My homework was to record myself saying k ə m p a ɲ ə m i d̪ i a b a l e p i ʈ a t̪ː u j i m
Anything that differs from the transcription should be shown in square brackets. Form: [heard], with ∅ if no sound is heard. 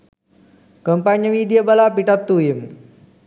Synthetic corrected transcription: k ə m p a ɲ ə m i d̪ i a b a l [a] p i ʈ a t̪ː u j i m